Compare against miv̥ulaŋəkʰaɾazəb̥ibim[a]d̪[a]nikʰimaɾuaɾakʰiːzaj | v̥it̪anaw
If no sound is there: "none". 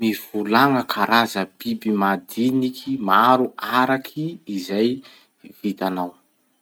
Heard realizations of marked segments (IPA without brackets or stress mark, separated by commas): a, i